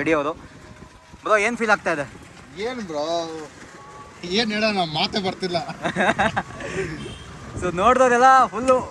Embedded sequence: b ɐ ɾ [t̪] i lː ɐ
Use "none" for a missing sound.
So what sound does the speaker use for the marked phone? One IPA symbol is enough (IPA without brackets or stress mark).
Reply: t̪